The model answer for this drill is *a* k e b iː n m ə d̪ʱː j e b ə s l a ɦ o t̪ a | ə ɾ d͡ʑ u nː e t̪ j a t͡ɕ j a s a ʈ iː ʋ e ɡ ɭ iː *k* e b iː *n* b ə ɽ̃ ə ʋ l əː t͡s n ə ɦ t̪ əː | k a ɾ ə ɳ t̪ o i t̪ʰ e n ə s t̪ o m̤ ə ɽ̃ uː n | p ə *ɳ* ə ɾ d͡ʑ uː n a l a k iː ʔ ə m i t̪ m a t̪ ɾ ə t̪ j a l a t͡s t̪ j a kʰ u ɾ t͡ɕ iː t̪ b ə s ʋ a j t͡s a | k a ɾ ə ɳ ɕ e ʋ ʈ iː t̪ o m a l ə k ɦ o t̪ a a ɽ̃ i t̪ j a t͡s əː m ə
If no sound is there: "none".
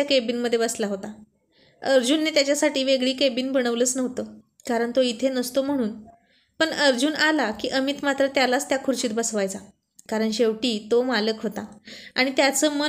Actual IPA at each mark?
a, k, n, ɳ

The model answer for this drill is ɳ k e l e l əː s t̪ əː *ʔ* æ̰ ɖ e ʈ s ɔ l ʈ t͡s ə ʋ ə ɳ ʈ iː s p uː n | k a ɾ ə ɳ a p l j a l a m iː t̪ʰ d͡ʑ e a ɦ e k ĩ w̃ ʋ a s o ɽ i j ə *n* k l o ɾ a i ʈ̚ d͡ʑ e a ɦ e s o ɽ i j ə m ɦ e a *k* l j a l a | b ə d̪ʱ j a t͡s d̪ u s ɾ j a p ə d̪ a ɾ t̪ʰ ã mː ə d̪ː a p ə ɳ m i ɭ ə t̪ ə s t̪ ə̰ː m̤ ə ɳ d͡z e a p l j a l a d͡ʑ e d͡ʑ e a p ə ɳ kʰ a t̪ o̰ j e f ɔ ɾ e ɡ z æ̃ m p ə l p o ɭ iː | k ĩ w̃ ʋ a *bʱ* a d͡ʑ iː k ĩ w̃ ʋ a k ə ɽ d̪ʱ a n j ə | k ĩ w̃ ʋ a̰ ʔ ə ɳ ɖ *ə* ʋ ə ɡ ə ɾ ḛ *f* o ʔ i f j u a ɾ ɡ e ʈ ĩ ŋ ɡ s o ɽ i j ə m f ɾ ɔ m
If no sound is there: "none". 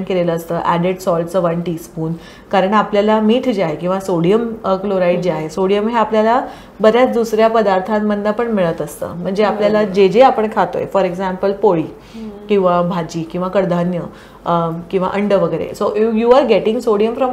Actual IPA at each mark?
ʔ, m, p, bʱ, ə, s

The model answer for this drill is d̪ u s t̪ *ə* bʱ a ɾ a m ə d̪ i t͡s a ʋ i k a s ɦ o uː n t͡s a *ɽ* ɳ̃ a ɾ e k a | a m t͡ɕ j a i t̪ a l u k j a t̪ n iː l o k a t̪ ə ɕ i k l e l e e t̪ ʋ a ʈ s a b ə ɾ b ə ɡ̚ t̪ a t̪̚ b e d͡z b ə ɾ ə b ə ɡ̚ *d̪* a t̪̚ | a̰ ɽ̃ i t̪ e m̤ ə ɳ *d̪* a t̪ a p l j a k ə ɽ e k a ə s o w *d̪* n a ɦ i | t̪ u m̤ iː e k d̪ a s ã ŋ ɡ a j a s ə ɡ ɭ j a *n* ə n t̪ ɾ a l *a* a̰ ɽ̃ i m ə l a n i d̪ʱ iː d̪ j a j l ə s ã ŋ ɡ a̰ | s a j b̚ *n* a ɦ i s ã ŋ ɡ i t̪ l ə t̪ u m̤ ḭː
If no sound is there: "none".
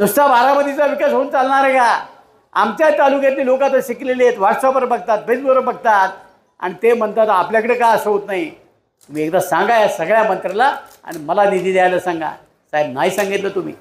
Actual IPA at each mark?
a, l, t̪, t̪, t̪, m, a, n

